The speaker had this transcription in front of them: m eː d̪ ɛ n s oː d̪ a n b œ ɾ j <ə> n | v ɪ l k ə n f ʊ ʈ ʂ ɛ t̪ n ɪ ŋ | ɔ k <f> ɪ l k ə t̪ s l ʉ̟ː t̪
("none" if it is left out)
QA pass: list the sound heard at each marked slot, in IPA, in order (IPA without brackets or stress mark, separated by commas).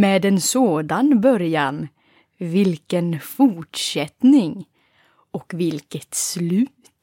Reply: a, v